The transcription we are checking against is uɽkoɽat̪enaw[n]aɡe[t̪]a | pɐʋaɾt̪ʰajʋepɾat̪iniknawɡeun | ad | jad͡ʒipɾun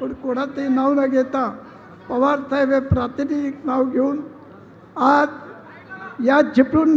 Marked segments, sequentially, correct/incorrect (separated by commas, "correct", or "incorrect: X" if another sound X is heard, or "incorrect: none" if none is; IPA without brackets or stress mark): correct, correct